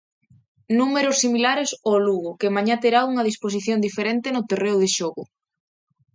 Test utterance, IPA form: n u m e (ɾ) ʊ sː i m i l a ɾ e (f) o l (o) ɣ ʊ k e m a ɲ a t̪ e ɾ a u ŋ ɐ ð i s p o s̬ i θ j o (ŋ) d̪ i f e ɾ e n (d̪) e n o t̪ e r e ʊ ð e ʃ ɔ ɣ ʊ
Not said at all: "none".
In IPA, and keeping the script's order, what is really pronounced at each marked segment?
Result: ɾ, s, u, n, t̪

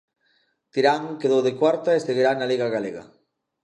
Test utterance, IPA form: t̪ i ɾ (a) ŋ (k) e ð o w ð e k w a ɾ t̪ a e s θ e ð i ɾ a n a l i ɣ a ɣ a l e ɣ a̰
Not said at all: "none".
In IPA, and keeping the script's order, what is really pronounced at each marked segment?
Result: a, k

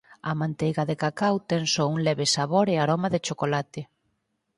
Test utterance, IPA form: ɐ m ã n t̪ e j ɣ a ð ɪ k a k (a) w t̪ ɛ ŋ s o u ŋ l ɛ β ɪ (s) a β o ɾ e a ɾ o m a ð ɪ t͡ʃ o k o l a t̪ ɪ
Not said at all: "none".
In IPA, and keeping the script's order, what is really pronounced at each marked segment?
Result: a, s

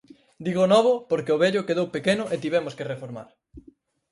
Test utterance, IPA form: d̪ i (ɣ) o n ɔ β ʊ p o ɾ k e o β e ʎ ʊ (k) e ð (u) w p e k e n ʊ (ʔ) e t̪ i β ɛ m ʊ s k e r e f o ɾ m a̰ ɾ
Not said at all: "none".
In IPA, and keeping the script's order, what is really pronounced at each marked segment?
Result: ɣ, k, o, ʔ

